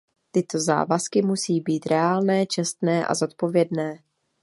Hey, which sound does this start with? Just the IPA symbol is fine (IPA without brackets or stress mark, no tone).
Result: t̪